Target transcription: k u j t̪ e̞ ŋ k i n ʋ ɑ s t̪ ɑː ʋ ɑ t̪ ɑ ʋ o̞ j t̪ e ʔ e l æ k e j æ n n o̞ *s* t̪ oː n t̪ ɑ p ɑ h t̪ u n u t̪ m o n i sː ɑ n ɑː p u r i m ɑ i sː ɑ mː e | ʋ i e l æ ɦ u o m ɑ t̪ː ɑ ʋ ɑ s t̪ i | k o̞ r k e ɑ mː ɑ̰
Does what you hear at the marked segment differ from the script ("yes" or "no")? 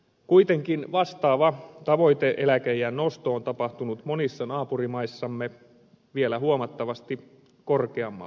no